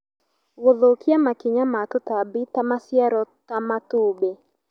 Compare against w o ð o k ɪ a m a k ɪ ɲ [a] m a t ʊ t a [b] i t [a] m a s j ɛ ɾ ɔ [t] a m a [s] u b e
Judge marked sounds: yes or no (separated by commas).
yes, yes, yes, yes, no